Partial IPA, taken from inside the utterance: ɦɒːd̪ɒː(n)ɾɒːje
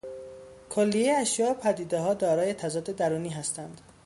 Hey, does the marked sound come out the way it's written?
no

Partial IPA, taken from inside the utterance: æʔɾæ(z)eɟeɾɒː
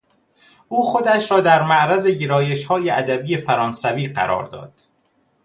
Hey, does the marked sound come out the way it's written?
yes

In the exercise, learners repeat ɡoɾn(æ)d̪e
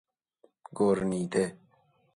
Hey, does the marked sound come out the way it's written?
no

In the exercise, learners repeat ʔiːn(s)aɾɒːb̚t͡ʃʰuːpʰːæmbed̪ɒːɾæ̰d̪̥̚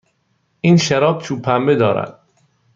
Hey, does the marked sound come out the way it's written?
no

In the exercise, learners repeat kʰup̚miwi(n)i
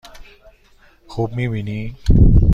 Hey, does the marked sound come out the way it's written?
yes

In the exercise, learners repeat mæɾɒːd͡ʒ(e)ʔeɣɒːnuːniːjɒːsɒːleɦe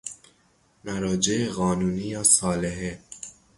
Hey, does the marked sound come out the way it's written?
yes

